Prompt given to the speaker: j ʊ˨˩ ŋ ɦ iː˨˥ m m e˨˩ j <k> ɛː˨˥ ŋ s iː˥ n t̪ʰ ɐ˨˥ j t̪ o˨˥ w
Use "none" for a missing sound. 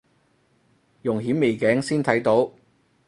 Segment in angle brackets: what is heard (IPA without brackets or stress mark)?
k